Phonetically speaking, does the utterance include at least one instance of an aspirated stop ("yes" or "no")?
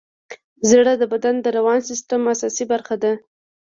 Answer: no